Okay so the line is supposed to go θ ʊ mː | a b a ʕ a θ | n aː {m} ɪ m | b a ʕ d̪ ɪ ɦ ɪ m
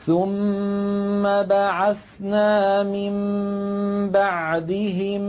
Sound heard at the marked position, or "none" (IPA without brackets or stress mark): m